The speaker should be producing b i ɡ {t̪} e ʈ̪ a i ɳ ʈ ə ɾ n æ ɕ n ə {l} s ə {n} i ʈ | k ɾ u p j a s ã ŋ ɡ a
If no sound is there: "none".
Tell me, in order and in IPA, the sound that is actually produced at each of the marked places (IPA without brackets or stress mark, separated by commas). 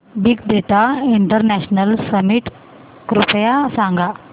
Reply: d̪, l, m